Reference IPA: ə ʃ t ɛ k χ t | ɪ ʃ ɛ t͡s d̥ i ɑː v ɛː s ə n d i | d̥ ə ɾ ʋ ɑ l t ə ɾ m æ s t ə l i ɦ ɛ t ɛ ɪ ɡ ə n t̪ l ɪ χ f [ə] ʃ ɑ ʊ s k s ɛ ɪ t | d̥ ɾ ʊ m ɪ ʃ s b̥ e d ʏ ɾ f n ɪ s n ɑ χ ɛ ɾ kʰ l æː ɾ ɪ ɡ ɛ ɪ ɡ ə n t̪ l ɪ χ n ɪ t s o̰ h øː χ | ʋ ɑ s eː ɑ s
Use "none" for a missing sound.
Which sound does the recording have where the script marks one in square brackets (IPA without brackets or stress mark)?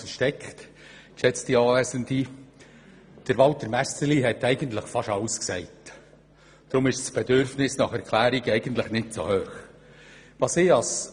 ɑ